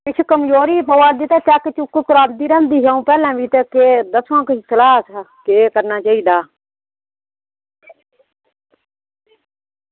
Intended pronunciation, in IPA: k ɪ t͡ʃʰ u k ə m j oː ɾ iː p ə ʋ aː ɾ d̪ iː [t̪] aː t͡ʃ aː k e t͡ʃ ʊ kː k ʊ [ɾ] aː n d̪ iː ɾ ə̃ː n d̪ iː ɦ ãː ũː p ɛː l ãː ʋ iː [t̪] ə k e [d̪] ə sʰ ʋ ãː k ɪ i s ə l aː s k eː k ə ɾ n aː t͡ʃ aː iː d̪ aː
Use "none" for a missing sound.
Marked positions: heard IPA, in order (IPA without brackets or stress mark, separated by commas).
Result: t̪, ɾ, t̪, d̪